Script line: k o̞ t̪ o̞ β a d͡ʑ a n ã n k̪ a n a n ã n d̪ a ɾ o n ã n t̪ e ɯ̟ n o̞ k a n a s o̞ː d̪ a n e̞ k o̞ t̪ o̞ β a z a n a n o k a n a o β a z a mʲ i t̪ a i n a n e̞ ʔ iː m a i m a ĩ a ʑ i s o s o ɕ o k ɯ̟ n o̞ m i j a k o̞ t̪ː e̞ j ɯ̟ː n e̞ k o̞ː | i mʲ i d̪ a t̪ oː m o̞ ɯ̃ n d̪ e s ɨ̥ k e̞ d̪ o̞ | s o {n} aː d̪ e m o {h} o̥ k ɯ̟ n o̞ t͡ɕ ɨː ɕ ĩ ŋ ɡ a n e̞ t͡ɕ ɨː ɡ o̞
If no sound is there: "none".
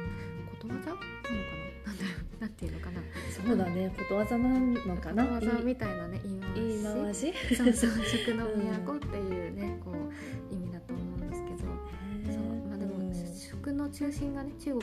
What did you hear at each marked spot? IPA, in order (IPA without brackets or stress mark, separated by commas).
m, ɕ